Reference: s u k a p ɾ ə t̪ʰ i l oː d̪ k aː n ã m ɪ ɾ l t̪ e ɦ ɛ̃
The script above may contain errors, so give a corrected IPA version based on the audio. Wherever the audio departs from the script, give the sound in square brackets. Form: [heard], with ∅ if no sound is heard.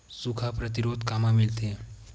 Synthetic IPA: s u [kʰ] a p ɾ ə [t̪] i [ɾ] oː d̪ k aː [m] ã m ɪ [∅] l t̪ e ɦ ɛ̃

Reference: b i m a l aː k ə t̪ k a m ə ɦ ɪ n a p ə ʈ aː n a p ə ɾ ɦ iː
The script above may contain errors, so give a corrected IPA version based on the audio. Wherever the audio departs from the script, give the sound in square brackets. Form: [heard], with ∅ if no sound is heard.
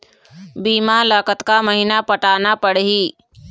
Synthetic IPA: b [iː] m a l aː k ə t̪ k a m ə ɦ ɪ n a p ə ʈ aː n a p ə [ɽ] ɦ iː

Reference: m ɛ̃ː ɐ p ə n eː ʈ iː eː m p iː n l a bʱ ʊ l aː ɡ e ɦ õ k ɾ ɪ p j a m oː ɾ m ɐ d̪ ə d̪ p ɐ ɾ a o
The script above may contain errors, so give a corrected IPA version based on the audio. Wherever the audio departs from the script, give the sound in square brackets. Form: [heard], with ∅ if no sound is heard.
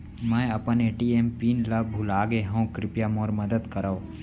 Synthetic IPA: m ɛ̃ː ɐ p ə n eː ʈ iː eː m p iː n l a bʱ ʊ l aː ɡ e ɦ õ k ɾ ɪ p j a m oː ɾ m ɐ d̪ ə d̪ [k] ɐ ɾ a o

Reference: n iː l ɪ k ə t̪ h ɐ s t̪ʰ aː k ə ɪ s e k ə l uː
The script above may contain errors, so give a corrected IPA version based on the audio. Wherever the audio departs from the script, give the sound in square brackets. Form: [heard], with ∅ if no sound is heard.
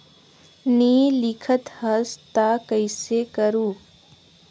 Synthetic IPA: n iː l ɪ [kʰ] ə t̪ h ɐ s [t̪] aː k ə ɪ s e k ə [ɾ] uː

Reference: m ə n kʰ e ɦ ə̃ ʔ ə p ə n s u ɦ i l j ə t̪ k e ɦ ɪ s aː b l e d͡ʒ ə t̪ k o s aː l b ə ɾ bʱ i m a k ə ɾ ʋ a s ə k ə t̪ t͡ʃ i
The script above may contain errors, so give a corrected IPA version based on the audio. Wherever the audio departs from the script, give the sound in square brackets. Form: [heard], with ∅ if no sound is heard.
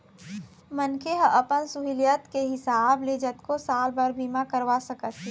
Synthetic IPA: m ə n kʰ e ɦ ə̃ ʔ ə p ə n s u ɦ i l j ə t̪ k e ɦ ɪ s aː b l e d͡ʒ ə t̪ k o s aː l b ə ɾ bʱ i m a k ə ɾ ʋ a s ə k ə t̪ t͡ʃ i

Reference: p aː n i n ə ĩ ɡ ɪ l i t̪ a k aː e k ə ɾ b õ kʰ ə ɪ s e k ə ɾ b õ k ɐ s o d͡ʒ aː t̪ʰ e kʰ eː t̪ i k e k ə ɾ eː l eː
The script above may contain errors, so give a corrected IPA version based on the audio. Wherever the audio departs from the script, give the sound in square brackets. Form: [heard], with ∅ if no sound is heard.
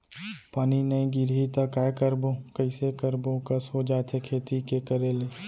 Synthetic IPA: p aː n i n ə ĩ ɡ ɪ [ɾ] i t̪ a k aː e k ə ɾ b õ [k] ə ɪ s e k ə ɾ b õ k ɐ s o d͡ʒ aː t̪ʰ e kʰ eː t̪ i k e k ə ɾ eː l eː

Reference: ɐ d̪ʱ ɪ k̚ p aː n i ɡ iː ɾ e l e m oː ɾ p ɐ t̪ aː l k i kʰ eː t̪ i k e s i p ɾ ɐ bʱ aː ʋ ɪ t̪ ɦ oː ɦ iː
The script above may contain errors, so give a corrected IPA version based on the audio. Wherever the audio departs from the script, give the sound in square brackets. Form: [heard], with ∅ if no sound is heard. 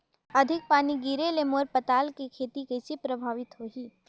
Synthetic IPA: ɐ d̪ʱ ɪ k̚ p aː n i ɡ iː ɾ e l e m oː ɾ p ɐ t̪ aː l k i kʰ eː t̪ i k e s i p ɾ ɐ bʱ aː ʋ ɪ t̪ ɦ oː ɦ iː

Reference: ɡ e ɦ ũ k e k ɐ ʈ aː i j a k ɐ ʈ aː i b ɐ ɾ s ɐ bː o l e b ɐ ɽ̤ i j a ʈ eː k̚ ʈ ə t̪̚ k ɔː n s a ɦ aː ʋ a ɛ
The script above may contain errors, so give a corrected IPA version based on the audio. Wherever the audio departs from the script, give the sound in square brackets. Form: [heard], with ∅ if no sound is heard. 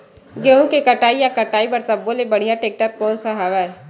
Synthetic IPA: ɡ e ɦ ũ k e k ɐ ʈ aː i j a k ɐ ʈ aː i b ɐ ɾ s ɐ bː o l e b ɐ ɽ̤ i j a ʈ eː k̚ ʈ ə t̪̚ k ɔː n s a ɦ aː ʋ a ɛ

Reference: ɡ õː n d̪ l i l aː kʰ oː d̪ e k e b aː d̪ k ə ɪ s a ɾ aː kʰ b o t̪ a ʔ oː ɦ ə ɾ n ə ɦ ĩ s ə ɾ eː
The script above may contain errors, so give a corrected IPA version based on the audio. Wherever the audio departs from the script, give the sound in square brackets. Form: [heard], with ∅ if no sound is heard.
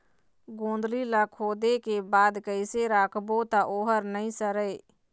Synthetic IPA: ɡ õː n d̪ l i l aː kʰ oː d̪ e k e b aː d̪ k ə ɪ s [e] ɾ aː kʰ b o t̪ a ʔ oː ɦ ə ɾ n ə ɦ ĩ s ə ɾ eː

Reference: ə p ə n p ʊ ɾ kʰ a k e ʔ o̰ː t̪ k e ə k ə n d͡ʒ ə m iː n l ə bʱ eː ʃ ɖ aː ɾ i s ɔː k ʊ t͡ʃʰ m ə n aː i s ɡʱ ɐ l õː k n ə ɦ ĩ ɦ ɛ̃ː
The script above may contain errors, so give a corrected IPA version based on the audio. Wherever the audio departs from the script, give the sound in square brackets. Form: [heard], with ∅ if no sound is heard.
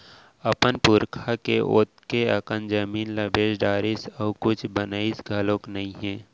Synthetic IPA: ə p ə n p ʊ ɾ kʰ a k e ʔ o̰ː t̪ k e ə k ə n d͡ʒ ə m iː n l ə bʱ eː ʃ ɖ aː ɾ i s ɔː k ʊ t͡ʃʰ [b] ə n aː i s ɡʱ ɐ l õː k n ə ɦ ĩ ɦ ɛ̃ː

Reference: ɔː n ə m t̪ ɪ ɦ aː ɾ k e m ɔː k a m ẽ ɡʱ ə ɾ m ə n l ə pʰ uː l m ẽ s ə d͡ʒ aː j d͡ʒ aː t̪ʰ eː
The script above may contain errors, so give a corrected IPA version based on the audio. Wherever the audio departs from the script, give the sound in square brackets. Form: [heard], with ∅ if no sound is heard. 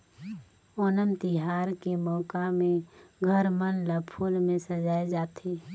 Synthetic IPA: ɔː n ə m t̪ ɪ ɦ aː ɾ k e m ɔː k a m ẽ ɡʱ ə ɾ m ə n l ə pʰ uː l m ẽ s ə d͡ʒ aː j d͡ʒ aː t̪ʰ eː

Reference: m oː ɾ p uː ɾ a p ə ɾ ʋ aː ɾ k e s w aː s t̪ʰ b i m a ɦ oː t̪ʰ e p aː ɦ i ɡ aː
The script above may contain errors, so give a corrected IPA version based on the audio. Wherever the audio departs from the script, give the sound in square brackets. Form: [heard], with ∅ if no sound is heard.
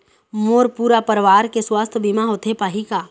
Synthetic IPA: m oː ɾ p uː ɾ a p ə ɾ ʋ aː ɾ k e s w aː s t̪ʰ b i m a ɦ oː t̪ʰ e p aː ɦ i [k] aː

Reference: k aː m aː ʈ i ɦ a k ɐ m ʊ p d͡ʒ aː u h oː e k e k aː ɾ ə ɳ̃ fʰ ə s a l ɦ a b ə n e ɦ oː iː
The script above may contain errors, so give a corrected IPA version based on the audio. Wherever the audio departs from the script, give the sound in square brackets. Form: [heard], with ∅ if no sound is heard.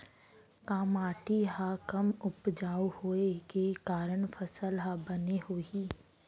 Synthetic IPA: k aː m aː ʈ i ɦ a k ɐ m ʊ p d͡ʒ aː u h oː e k e k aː ɾ ə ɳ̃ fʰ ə s [ə] l ɦ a b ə n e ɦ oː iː

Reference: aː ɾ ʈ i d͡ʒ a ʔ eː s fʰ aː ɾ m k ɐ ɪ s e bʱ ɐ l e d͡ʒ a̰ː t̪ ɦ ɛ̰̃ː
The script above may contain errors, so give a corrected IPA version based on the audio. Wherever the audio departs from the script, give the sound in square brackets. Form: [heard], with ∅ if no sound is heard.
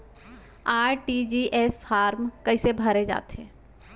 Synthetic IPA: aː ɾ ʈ i d͡ʒ [i] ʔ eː s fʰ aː ɾ m k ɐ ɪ s e bʱ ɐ [ɾ] e d͡ʒ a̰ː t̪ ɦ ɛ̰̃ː

